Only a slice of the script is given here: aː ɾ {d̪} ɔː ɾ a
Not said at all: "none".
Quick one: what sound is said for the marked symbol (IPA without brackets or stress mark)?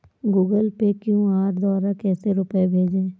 d̪